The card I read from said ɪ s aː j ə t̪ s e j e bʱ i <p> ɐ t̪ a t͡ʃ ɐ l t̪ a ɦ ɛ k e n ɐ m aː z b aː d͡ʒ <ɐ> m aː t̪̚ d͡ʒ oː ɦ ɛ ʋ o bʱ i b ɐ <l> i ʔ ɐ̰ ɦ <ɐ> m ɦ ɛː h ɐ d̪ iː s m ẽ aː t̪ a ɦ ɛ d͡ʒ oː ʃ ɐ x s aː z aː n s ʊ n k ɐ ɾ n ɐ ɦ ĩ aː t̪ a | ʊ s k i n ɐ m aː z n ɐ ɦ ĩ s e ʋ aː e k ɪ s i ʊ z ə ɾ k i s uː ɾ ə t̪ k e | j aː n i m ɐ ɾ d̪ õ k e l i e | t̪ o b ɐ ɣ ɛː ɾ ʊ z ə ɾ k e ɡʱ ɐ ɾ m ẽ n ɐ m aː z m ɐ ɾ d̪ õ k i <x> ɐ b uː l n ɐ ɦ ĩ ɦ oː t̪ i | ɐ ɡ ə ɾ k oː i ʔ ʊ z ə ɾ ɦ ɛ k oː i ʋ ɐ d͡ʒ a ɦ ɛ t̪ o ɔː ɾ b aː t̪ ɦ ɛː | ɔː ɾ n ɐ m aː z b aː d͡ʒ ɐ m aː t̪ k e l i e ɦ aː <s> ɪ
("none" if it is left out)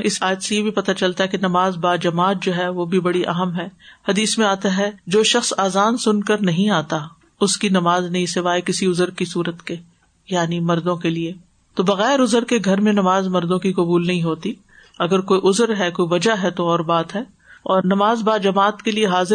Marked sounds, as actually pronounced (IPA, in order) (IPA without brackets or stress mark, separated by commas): p, ɐ, ɽ, ə, k, z